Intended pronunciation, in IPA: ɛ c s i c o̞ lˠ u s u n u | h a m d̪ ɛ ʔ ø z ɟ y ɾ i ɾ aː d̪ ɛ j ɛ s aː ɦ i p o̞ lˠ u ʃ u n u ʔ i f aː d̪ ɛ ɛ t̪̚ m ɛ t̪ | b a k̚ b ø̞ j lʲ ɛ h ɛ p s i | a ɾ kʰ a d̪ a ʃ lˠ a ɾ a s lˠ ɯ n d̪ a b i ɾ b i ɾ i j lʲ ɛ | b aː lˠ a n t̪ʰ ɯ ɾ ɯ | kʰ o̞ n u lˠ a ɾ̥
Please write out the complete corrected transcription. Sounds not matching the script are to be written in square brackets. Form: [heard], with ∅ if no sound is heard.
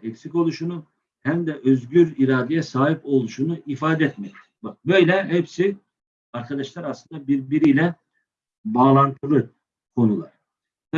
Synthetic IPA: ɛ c s i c o̞ lˠ u [ʃ] u n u | h [æ] m d̪ ɛ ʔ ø z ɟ y ɾ i ɾ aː d̪ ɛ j ɛ s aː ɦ i p o̞ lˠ u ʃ u n u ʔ i f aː d̪ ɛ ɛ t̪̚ m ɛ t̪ | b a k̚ b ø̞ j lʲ ɛ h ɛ p s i | a ɾ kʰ a d̪ a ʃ lˠ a ɾ a s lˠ ɯ n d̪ a b i ɾ b i ɾ i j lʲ ɛ | b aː lˠ a n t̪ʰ ɯ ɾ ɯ | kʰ o̞ n u lˠ a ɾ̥